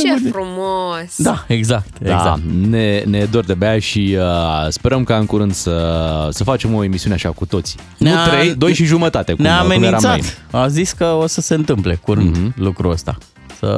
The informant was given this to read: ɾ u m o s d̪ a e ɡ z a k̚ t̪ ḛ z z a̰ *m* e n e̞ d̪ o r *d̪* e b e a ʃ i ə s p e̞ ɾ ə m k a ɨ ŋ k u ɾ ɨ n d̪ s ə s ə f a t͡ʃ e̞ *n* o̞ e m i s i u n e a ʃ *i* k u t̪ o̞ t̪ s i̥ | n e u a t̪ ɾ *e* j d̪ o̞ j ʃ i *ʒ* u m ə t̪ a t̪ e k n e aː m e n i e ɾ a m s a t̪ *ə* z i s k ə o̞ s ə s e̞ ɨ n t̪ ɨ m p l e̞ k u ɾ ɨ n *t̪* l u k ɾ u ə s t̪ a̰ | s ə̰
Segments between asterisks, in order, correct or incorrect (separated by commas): incorrect, correct, incorrect, incorrect, correct, correct, incorrect, incorrect